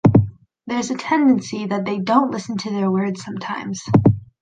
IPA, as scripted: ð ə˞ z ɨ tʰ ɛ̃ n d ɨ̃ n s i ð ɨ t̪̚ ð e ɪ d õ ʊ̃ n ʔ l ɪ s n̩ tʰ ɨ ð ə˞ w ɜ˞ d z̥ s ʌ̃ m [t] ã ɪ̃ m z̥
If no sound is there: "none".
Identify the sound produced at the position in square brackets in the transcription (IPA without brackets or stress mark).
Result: tʰ